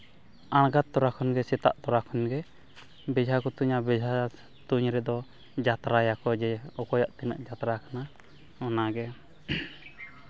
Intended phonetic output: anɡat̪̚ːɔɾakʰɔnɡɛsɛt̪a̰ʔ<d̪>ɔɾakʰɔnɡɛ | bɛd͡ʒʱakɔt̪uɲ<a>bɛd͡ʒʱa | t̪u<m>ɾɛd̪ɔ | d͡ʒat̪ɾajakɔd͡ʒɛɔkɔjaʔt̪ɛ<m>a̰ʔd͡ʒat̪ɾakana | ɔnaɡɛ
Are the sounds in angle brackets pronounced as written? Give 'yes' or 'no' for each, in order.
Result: no, yes, no, no

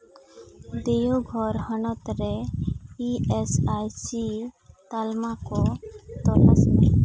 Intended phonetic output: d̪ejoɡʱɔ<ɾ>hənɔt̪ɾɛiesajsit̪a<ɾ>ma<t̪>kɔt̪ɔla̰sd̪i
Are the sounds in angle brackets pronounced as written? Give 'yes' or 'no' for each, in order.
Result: yes, no, no

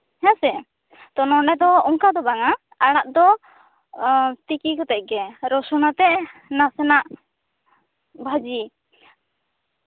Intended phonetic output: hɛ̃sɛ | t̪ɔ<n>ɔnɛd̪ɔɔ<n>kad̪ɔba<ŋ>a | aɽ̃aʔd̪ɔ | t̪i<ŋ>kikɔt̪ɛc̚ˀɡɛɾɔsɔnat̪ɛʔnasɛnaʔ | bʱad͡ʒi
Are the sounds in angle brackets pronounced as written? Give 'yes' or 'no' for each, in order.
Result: yes, no, yes, no

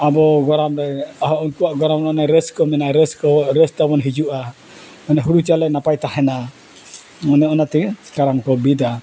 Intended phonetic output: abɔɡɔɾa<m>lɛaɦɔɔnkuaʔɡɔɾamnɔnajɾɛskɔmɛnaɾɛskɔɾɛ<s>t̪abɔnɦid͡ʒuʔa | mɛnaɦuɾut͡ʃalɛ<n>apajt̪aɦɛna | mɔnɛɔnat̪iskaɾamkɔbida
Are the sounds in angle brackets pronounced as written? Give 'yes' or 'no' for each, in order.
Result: yes, yes, yes

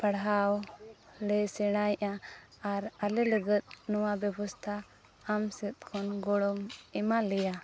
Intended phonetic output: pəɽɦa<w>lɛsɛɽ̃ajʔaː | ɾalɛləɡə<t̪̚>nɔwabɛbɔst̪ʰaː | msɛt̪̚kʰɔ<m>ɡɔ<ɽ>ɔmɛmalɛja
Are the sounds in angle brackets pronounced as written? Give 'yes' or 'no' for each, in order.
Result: yes, yes, no, yes

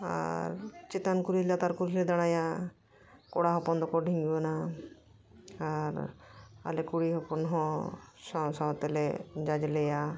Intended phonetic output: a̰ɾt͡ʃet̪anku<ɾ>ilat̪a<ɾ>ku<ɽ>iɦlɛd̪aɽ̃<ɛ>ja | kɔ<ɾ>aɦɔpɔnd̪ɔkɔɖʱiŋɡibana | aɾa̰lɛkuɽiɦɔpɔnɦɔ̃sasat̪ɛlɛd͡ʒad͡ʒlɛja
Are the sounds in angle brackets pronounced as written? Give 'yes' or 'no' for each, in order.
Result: yes, yes, no, no, no

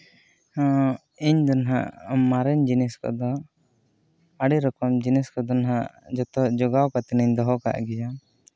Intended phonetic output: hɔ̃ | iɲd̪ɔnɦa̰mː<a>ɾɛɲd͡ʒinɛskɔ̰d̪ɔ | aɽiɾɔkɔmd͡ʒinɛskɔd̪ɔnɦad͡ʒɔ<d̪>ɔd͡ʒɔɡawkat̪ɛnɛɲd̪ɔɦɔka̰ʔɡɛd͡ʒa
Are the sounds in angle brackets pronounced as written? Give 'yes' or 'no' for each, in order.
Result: yes, no

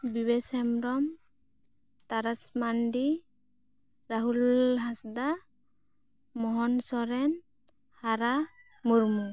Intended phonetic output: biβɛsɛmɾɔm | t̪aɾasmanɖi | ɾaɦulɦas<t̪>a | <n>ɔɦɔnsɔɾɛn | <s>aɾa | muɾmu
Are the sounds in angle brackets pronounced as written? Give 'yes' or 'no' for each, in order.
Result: no, no, no

